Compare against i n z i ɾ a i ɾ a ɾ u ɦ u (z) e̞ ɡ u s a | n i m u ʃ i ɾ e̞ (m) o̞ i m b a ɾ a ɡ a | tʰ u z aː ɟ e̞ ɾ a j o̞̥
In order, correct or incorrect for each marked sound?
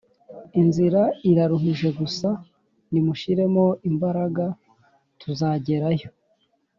incorrect: ʒ, correct

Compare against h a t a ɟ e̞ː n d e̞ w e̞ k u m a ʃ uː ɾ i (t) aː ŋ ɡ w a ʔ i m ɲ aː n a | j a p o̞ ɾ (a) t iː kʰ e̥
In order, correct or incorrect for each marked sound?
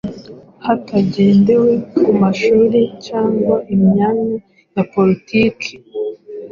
incorrect: c, incorrect: i

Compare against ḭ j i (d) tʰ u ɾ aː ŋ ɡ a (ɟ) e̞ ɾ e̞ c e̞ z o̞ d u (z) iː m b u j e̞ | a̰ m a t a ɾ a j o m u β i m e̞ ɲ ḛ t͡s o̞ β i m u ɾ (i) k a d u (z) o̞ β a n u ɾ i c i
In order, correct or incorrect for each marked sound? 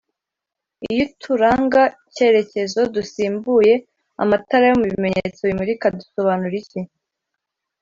incorrect: none, incorrect: c, incorrect: s, correct, incorrect: s

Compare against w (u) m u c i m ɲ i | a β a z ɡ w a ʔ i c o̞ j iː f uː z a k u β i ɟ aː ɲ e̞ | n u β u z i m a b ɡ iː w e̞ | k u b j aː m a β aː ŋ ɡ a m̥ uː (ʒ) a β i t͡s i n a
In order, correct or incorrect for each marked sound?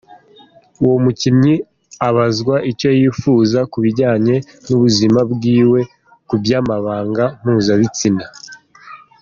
incorrect: o, incorrect: z

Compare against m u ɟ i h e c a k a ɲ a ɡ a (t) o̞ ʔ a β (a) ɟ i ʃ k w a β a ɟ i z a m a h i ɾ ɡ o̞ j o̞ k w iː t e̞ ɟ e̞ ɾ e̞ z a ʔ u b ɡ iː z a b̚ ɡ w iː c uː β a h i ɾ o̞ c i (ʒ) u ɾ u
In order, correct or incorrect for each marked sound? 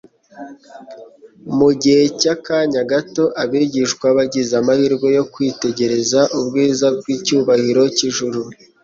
correct, incorrect: i, correct

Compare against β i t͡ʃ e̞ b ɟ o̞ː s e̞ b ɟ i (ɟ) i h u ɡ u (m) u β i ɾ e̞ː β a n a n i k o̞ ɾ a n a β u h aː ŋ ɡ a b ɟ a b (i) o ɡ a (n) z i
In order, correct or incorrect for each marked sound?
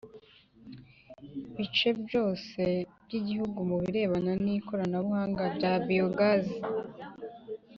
correct, correct, correct, incorrect: none

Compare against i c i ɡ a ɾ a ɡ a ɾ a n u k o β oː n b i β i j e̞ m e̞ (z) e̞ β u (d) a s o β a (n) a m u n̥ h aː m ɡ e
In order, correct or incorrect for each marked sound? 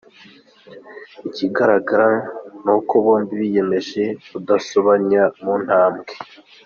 incorrect: ʒ, correct, incorrect: ɲ

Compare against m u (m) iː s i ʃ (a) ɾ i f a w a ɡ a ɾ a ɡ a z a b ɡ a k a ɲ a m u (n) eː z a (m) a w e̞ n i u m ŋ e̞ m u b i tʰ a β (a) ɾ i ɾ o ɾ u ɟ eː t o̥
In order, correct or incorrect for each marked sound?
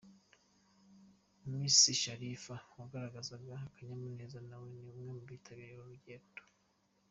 correct, correct, correct, incorrect: n, incorrect: i

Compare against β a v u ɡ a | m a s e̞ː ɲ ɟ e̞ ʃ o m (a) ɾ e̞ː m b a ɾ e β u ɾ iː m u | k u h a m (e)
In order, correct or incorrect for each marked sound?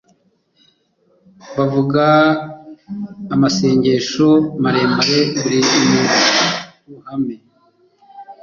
correct, correct

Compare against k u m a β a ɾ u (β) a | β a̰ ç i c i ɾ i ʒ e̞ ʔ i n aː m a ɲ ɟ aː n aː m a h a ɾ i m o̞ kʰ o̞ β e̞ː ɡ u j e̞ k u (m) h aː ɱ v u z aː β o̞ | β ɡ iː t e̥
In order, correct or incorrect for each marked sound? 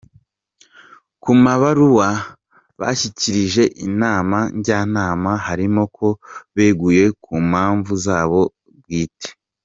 incorrect: w, correct

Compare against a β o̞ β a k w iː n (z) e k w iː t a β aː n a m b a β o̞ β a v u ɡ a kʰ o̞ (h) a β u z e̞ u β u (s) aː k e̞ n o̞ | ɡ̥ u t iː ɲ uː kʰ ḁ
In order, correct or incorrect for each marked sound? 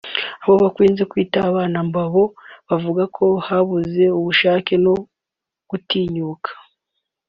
correct, correct, incorrect: ʃ

